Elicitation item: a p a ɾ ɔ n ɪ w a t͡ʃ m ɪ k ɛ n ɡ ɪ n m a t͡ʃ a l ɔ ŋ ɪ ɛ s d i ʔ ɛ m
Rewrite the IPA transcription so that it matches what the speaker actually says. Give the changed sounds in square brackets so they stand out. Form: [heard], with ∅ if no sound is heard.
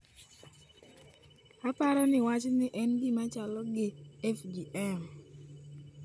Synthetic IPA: a p a ɾ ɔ n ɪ w a t͡ʃ [n] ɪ [ʔ] ɛ n ɡ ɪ [∅] m a t͡ʃ a l ɔ [ɡ] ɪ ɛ [f] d i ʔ ɛ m